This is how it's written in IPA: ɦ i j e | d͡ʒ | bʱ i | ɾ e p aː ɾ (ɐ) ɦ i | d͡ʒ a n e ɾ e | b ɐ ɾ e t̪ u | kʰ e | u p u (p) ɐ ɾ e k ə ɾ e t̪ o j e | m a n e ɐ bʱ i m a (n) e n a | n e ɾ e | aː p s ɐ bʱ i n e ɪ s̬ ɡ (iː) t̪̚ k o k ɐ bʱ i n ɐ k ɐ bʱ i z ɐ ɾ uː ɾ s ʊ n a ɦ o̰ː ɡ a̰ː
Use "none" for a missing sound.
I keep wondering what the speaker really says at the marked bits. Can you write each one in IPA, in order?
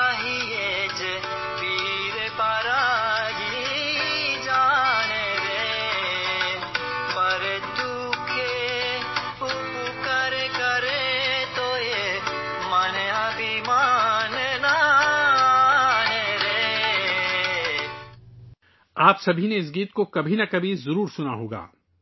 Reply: a, k, n, iː

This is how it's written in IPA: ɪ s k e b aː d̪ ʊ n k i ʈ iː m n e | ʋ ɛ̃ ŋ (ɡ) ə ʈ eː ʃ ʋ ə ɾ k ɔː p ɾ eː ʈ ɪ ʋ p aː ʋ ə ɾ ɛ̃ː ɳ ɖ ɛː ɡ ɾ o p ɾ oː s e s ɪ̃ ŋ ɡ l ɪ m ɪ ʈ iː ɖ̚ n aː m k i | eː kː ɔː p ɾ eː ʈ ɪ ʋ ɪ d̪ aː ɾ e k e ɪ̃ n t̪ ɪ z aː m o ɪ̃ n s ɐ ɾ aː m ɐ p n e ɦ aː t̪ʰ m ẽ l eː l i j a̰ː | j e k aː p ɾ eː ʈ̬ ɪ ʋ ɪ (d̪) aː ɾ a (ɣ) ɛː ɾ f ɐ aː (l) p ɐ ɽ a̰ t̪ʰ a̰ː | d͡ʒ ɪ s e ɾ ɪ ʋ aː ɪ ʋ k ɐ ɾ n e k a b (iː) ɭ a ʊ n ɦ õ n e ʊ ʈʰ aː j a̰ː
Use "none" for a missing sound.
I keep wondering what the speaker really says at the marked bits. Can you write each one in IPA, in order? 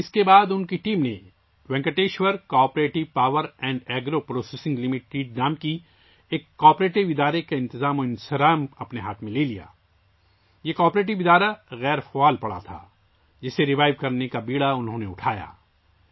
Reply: k, d̪, ɣ, l, iː

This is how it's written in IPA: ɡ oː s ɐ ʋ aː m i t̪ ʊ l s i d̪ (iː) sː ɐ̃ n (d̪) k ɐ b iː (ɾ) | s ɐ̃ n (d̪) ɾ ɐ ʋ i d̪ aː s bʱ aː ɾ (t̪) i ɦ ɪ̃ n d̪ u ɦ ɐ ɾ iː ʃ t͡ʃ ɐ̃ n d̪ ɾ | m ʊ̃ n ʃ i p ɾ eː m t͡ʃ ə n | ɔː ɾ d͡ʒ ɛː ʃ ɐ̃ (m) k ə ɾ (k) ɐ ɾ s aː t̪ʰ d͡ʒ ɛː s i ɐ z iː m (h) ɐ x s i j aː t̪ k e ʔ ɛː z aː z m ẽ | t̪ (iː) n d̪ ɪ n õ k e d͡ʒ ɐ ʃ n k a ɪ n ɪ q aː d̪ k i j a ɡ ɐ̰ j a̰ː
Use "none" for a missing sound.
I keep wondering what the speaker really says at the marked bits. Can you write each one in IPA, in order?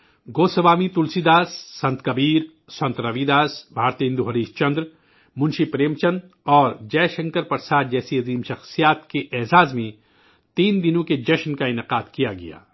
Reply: aː, t̪, ɾ, t̪, t̪, ŋ, p, ʃ, iː

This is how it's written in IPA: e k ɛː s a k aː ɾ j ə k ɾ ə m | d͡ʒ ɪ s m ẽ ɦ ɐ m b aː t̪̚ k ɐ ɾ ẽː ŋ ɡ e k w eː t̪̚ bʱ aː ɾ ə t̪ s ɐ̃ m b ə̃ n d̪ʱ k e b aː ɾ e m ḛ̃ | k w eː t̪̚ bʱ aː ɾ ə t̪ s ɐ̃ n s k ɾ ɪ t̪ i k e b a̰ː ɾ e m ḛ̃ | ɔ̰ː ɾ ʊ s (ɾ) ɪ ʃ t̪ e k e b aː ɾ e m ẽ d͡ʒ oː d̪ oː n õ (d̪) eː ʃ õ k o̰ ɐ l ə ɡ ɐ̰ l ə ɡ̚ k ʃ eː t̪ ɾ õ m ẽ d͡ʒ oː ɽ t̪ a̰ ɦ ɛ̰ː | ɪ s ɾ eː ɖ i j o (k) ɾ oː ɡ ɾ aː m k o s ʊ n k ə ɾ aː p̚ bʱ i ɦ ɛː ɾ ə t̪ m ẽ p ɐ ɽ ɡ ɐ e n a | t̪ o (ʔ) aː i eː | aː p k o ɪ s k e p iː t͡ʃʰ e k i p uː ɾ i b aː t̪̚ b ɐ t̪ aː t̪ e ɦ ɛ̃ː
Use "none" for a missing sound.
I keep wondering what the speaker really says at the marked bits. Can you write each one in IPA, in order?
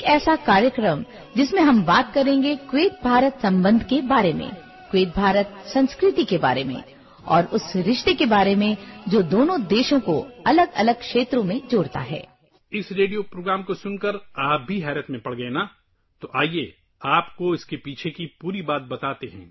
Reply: ɾ, d̪, p, ʔ

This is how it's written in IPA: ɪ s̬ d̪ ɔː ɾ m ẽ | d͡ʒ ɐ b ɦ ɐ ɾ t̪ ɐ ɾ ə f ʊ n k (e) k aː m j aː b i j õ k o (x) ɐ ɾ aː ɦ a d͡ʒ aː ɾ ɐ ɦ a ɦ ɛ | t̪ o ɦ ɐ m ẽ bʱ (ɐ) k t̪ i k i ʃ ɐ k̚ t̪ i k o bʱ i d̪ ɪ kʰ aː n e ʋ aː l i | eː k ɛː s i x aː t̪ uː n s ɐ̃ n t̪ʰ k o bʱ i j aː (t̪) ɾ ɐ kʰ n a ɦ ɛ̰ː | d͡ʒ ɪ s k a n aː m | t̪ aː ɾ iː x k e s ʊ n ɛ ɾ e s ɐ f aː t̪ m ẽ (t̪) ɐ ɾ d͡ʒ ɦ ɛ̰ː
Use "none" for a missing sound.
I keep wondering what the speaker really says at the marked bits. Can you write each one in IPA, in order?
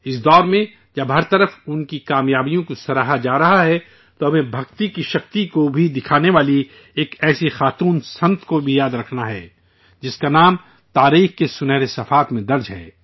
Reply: i, s, ɐ, d̪, d̪

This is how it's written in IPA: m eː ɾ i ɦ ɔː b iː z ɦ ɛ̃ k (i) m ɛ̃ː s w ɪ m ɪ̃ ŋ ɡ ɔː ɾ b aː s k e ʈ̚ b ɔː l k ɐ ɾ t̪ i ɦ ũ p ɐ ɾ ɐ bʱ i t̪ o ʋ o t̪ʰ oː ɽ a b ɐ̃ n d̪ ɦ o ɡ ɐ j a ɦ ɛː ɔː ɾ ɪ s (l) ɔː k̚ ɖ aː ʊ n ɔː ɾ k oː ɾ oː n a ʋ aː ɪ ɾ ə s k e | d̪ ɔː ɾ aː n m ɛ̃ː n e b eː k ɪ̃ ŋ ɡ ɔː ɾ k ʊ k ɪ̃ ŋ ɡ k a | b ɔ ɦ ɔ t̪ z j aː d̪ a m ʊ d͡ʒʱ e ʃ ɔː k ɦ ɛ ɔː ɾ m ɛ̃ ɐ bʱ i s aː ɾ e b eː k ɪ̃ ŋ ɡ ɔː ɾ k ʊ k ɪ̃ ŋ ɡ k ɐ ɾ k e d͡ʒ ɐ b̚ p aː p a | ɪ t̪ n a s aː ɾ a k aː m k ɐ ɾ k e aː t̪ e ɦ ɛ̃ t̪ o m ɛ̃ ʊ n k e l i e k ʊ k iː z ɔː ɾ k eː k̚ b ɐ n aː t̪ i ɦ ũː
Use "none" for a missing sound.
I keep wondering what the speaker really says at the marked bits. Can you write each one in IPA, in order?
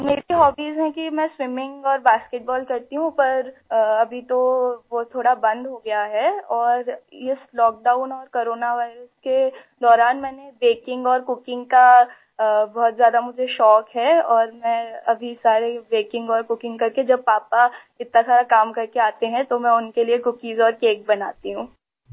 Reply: i, l

